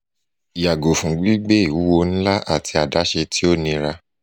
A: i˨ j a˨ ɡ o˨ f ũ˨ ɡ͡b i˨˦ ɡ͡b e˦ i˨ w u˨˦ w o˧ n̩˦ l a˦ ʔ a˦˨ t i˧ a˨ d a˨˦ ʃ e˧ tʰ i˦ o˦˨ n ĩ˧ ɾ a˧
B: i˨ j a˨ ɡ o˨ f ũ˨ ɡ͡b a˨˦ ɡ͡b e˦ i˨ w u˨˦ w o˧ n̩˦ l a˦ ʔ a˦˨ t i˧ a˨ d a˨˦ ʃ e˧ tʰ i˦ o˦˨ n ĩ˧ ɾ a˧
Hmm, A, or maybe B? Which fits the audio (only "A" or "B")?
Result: A